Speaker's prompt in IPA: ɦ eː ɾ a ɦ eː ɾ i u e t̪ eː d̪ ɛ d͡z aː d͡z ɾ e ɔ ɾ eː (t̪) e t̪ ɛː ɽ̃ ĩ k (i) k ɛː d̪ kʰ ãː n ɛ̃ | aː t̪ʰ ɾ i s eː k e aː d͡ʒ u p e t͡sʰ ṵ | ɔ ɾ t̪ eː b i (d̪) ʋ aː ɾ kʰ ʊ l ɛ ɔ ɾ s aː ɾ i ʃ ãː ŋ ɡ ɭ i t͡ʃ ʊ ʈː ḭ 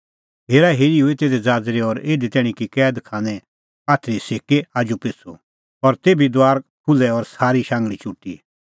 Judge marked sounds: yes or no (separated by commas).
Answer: no, yes, yes